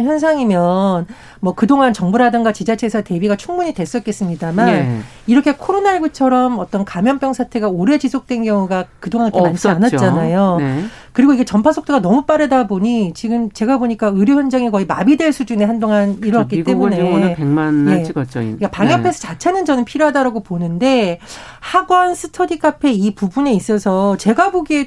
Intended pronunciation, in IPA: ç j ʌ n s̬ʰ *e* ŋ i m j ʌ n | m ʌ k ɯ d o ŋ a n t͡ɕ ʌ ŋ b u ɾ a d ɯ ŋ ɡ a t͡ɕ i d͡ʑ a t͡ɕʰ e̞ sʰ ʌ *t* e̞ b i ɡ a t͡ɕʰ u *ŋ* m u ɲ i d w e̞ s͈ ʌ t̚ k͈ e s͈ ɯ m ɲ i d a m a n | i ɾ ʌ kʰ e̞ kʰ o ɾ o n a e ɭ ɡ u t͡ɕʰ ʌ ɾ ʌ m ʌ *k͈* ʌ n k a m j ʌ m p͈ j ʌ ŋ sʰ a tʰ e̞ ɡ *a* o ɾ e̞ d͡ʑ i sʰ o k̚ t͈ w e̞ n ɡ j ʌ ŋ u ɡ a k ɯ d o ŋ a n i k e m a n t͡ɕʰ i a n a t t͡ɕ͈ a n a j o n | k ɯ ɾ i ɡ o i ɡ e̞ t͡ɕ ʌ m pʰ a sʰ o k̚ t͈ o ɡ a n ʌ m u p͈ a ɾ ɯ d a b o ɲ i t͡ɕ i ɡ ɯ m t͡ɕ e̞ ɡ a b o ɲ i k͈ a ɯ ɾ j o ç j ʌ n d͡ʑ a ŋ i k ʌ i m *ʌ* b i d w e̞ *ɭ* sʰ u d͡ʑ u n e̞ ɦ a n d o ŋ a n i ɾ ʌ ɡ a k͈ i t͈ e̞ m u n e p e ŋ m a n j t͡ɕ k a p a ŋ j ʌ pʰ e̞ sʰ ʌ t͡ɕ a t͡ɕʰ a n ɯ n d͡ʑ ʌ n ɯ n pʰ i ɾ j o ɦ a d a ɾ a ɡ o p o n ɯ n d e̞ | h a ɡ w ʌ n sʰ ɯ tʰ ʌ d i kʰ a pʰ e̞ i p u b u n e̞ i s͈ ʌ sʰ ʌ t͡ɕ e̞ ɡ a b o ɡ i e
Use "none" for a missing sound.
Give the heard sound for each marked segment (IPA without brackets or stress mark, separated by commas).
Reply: a, t, ŋ, t͈, a, a, ɭ